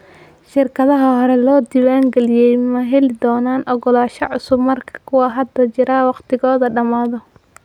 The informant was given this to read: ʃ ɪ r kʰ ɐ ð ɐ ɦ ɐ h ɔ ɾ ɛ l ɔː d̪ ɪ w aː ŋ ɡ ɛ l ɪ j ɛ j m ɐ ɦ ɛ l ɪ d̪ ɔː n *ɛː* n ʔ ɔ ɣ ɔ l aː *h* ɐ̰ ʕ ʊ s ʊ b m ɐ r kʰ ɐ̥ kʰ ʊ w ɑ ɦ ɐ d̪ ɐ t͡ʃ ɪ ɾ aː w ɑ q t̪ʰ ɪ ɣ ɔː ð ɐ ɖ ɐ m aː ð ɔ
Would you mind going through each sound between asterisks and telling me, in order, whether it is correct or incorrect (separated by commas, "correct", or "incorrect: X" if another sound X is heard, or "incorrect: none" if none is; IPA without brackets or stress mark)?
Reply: incorrect: aː, incorrect: ʃ